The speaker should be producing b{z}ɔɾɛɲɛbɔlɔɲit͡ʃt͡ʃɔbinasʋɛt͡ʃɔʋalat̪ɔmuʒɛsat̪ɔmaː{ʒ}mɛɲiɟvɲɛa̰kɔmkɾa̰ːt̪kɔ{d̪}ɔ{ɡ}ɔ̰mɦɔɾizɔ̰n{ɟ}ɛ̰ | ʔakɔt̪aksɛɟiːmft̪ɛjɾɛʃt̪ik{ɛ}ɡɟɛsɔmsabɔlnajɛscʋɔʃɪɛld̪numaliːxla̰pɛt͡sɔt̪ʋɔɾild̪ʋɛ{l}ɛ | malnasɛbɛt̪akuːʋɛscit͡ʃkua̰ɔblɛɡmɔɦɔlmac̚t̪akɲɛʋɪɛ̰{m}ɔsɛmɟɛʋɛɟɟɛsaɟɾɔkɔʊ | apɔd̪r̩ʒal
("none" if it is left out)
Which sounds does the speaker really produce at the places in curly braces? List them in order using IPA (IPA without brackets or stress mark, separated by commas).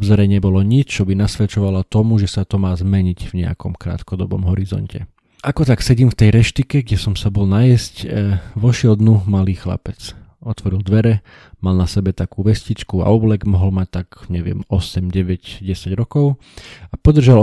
z, z, d̪, b, c, ɛ, ɾ, m